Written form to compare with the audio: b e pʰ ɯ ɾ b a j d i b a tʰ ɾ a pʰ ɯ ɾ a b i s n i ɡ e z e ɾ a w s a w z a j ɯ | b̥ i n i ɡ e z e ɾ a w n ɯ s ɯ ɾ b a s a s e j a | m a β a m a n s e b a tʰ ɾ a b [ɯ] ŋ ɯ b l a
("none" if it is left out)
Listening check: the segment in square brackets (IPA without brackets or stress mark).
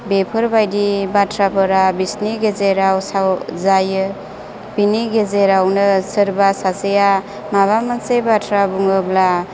u